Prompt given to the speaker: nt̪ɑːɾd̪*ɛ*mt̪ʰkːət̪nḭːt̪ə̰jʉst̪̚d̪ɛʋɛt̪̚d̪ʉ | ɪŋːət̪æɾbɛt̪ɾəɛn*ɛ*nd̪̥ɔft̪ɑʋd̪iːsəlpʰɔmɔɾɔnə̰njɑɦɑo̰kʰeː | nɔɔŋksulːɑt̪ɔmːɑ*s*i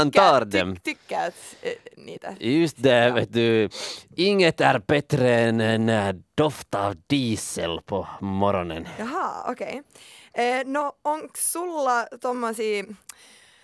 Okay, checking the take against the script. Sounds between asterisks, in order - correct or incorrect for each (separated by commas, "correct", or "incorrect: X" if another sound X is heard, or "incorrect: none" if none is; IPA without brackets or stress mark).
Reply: correct, correct, correct